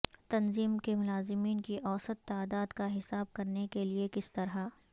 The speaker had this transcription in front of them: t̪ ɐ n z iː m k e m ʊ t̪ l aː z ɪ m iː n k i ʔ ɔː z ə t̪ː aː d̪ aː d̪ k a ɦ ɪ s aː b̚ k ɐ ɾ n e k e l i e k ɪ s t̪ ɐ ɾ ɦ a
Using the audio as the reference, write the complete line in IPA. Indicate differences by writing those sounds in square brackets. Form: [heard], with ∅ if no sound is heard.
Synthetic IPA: t̪ ɐ n z iː m k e m ʊ [∅] l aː z ɪ m iː n k i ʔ ɔː [s] ə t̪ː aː d̪ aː d̪ k a ɦ ɪ s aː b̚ k ɐ ɾ n e k e l i e k ɪ s t̪ ɐ ɾ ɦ a